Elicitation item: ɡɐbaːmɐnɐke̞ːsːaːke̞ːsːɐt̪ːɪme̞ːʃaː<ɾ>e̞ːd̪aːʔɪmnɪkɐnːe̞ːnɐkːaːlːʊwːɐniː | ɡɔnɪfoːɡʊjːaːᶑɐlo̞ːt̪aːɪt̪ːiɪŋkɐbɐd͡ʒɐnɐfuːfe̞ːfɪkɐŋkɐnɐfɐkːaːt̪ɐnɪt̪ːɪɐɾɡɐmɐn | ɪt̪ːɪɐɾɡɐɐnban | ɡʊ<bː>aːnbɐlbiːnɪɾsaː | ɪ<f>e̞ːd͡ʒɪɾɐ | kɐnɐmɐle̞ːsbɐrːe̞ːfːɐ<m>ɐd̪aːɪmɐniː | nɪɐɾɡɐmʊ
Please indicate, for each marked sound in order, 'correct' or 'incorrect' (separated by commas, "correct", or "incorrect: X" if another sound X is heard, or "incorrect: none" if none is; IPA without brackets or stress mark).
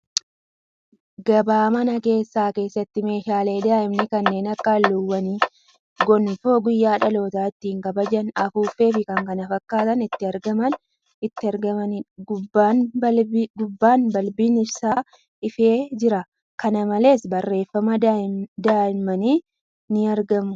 incorrect: l, correct, correct, correct